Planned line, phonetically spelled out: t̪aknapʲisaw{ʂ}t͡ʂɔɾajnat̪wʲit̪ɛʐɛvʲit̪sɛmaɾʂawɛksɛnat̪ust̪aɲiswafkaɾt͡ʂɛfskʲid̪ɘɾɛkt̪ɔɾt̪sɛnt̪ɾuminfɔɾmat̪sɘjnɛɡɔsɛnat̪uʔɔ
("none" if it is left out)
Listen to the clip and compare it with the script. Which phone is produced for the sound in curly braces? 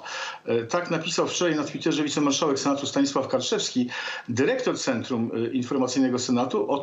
f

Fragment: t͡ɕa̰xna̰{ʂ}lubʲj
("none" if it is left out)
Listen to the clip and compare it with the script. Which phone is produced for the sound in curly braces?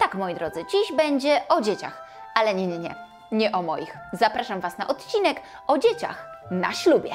ɕ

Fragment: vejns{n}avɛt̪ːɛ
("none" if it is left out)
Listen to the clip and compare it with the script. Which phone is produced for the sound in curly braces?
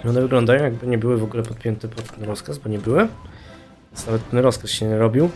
n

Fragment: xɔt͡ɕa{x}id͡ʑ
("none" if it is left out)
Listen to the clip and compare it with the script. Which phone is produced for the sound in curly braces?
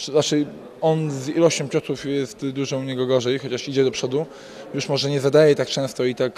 ʂ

